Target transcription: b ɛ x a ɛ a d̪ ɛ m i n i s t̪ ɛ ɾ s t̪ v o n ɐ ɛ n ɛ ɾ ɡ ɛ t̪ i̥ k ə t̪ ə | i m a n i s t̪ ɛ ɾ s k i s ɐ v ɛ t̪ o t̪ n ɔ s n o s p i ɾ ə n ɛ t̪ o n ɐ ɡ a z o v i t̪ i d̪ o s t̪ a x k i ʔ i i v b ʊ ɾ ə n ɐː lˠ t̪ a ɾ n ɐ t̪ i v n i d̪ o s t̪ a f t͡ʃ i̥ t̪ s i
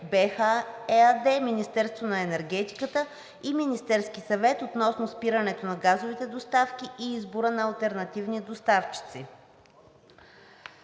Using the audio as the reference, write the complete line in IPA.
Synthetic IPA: b ɛ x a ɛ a d̪ ɛ m i n i s t̪ ɛ ɾ s t̪ v o n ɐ ɛ n ɛ ɾ ɡ ɛ t̪ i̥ k ə t̪ ə | i m i n i s t̪ ɛ ɾ s k i s ɐ v ɛ t̪ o t̪ n ɔ s n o s p i ɾ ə n ɛ t̪ o n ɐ ɡ a z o v i t̪ ɛ d̪ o s t̪ a f k i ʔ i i z b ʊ ɾ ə n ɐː lˠ t̪ ɛ ɾ n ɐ t̪ i v n i d̪ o s t̪ a f t͡ʃ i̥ t̪ s i